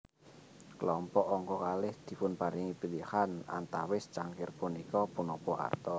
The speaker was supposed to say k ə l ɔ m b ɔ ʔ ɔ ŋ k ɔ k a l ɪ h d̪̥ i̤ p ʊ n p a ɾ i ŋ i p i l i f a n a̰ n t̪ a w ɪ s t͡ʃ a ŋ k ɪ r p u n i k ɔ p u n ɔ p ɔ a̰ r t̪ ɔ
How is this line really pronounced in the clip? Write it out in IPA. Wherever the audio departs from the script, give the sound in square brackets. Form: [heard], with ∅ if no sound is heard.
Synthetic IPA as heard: k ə l ɔ m [p] ɔ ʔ ɔ ŋ k ɔ k a l ɪ h d̪̥ i̤ p ʊ n p a ɾ i ŋ i p i l i [h] a n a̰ n t̪ a w ɪ s t͡ʃ a ŋ k ɪ r p u n i k ɔ p u n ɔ p ɔ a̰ r t̪ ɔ